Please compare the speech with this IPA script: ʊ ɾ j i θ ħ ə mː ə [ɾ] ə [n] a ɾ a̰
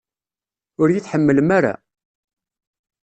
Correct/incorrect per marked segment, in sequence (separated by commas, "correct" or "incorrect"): incorrect, incorrect